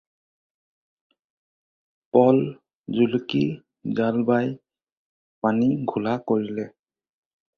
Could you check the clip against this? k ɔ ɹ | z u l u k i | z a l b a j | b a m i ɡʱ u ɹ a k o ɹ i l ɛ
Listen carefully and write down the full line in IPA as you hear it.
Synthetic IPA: p ɔ l | z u l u k i | z a l b a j | p a n i ɡʱ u l a k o ɹ i l ɛ